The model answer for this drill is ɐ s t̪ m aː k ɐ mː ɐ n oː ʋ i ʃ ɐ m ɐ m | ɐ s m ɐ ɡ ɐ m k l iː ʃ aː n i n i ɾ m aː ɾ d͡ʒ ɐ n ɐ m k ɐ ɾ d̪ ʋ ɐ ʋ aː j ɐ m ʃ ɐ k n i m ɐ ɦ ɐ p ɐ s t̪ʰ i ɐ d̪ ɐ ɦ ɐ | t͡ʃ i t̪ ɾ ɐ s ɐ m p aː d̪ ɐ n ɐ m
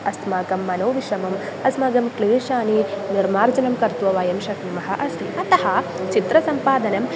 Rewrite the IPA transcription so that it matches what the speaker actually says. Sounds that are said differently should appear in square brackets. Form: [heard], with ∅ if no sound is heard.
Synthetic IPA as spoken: ɐ s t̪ m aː k ɐ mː ɐ n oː ʋ i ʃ ɐ m ɐ m | ɐ s m ɐ ɡ ɐ m k l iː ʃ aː n i n i ɾ m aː ɾ d͡ʒ ɐ n ɐ m k ɐ ɾ [t̪] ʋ ɐ ʋ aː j ɐ m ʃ ɐ k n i m ɐ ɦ ɐ [ʔ] ɐ s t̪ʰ i ɐ [t̪] ɐ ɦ ɐ | t͡ʃ i t̪ ɾ ɐ s ɐ m p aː d̪ ɐ n ɐ m